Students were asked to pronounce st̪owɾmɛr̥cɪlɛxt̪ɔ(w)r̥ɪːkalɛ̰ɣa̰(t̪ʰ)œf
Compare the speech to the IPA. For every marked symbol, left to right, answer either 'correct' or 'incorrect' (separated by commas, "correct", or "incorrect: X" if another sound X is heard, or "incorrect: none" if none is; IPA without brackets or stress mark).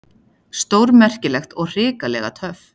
incorrect: ɣ, correct